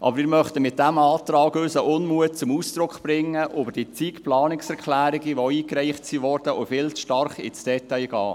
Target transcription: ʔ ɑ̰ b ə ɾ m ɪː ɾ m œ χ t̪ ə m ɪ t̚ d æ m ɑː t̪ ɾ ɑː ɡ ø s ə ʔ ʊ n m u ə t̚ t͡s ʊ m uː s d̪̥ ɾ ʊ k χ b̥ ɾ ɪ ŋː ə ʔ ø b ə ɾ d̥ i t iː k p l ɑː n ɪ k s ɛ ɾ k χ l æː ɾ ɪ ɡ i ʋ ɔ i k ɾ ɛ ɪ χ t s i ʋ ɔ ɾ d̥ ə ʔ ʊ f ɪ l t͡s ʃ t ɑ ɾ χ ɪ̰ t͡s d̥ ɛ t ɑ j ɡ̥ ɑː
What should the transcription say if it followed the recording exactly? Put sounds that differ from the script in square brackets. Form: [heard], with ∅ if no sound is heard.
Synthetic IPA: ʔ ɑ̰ b ə ɾ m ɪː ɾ m œ χ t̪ ə m ɪ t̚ d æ m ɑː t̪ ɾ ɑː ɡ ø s ə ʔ ʊ n m u ə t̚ t͡s ʊ m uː s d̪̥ ɾ ʊ k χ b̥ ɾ ɪ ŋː ə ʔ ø b ə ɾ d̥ i [t͡s] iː k p l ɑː n ɪ k s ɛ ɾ k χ l æː ɾ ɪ ɡ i ʋ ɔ [iː] k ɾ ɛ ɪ χ t s i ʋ ɔ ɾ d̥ ə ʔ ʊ f ɪ l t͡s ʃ t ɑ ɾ χ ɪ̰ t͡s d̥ ɛ t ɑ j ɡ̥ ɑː